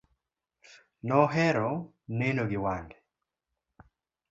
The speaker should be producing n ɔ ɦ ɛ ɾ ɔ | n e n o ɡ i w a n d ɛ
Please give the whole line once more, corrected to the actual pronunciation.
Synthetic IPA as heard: n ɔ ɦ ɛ ɾ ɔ | n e n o ɡ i w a n d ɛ

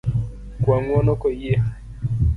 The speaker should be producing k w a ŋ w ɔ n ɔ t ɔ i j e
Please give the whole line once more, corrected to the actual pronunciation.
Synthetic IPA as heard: k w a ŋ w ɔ n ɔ k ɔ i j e

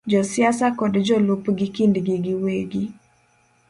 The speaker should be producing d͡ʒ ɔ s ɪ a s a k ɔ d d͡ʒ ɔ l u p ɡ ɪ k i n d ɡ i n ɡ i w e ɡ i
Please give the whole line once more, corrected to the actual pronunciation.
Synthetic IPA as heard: d͡ʒ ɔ s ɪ a s a k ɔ d d͡ʒ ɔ l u p ɡ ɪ k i n d ɡ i ɡ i w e ɡ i

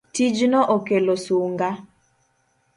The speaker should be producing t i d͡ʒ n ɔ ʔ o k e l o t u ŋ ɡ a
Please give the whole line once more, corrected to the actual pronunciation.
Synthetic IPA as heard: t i d͡ʒ n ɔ ʔ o k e l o s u ŋ ɡ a

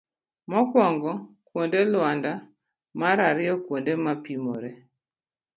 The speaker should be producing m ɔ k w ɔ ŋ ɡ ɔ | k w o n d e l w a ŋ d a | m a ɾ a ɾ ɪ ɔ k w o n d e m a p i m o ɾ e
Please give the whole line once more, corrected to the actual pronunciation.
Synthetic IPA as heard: m ɔ k w ɔ ŋ ɡ ɔ | k w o n d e l w a n d a | m a ɾ a ɾ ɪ ɔ k w o n d e m a p i m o ɾ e

